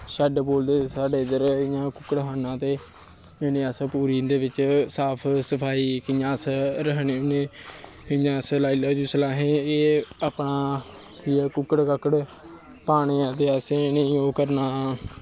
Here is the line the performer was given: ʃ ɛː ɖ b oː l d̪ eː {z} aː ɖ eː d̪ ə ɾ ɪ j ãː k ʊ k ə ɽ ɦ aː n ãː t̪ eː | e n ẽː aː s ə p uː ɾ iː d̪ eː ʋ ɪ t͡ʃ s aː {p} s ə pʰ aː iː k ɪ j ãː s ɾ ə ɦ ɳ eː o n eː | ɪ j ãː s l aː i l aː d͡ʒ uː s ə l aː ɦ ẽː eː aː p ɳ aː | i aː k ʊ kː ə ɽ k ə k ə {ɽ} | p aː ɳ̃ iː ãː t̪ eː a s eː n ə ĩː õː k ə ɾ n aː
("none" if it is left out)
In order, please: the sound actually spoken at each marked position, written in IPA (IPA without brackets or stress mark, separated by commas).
s, pʰ, ɽ